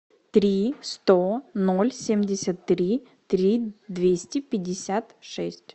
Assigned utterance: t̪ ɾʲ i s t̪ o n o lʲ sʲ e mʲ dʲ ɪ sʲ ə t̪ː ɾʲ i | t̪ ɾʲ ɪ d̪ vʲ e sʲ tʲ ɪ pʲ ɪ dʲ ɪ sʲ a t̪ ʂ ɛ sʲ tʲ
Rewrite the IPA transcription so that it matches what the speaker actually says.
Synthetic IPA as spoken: t̪ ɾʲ i s t̪ o n o lʲ sʲ e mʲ dʲ ɪ sʲ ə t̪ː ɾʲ i | t̪ ɾʲ i d̪ vʲ e sʲ tʲ ɪ pʲ ɪ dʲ ɪ sʲ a t̪ ʂ ɛ sʲ tʲ

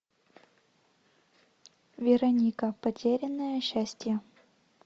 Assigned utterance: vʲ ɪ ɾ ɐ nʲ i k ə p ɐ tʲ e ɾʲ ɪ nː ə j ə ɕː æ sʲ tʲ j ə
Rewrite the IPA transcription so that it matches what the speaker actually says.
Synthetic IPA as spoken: vʲ ɪ ɾ ɐ nʲ i k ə p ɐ tʲ e ɾʲ ɪ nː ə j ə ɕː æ sʲ tʲ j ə

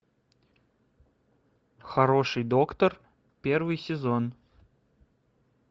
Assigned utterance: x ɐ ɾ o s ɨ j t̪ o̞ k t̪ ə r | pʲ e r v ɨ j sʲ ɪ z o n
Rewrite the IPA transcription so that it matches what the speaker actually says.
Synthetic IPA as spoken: x ɐ ɾ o ʂ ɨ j d̪ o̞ k t̪ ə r | pʲ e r v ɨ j sʲ ɪ z o n

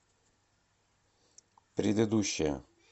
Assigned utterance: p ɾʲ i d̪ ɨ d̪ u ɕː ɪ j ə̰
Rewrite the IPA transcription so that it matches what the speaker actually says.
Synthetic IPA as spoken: p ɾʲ ɪ d̪ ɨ d̪ u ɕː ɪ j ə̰

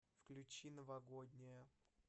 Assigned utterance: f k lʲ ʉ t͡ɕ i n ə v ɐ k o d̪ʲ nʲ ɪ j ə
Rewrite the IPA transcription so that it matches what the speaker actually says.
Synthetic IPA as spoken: f k lʲ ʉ t͡ɕ i n ə v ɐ ɡ o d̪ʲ nʲ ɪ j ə

